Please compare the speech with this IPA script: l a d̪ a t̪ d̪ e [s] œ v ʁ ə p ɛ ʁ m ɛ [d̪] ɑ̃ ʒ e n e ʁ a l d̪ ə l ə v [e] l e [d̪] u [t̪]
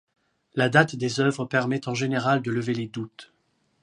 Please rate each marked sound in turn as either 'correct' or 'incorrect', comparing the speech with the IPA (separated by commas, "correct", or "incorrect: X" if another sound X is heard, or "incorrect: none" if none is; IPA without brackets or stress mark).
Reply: incorrect: z, incorrect: t̪, correct, correct, correct